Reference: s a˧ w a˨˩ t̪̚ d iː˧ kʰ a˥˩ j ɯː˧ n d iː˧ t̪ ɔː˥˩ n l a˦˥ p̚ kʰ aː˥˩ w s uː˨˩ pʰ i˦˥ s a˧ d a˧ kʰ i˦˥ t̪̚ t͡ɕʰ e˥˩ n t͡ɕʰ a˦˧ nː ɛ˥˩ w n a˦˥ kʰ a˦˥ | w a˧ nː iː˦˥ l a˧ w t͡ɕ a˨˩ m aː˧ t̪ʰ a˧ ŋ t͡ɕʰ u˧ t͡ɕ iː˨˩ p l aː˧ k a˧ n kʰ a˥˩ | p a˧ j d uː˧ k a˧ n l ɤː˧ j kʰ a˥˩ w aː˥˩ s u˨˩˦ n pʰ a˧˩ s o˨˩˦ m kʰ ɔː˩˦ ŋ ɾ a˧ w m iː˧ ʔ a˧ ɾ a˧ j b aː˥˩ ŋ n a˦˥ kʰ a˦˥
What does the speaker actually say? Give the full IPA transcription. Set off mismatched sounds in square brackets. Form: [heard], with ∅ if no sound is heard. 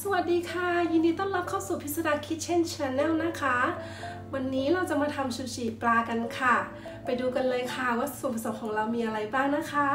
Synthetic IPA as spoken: s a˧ w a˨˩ t̪̚ d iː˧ kʰ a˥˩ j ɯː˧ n d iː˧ t̪ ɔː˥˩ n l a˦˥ p̚ kʰ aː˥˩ w s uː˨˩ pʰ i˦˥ s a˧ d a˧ kʰ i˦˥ t̪̚ t͡ɕʰ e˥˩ n t͡ɕʰ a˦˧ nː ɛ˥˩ w n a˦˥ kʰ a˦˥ | w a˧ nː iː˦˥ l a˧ w t͡ɕ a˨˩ m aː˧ t̪ʰ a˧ [m] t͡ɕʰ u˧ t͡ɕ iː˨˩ p l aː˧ k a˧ n kʰ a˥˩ | p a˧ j d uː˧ k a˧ n l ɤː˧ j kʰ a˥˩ w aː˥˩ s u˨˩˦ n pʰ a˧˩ s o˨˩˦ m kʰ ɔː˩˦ ŋ ɾ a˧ w m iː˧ ʔ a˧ ɾ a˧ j b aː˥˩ ŋ n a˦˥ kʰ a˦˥

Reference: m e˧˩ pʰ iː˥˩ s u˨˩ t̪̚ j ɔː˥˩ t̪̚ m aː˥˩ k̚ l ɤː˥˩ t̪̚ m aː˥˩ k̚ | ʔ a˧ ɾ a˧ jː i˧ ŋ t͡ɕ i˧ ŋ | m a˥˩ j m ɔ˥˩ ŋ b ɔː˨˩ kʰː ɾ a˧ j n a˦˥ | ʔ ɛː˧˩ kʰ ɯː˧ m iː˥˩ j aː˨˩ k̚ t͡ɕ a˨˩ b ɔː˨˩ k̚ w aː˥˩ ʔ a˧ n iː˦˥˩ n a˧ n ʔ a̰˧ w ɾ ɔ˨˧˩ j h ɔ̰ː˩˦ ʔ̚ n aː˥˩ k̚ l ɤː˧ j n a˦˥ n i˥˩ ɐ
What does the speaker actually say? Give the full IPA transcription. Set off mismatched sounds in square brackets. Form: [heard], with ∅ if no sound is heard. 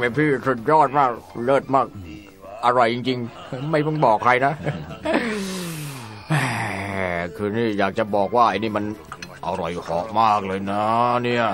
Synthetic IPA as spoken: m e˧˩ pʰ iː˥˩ s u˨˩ t̪̚ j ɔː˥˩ t̪̚ m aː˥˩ k̚ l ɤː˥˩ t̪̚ m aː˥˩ k̚ | ʔ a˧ ɾ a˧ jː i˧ ŋ t͡ɕ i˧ ŋ | m a˥˩ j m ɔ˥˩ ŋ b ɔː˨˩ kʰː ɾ a˧ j n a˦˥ | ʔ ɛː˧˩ kʰ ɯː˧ [n] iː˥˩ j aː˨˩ k̚ t͡ɕ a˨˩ b ɔː˨˩ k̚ w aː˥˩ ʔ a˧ n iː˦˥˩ [m] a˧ n ʔ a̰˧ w ɾ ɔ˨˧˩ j h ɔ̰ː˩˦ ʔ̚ [m] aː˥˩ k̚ l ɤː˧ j n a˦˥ n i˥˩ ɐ

